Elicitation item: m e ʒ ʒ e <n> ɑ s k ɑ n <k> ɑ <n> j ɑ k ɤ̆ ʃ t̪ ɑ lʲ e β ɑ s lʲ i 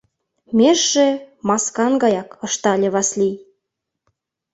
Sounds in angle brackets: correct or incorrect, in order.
incorrect, incorrect, incorrect

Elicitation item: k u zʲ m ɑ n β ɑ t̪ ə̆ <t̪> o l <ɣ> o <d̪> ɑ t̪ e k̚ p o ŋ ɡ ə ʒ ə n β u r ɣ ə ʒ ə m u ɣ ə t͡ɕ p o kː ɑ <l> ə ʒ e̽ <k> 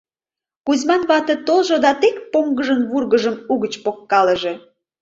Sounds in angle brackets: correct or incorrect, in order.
correct, incorrect, correct, correct, incorrect

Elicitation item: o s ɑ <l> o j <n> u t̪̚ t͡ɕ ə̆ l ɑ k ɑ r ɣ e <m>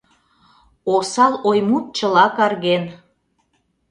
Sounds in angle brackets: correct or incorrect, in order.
correct, incorrect, incorrect

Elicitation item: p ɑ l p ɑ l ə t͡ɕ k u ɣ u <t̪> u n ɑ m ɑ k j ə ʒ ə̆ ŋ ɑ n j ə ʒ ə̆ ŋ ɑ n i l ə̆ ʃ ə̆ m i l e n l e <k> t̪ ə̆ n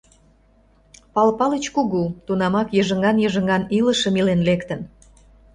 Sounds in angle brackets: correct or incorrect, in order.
correct, correct

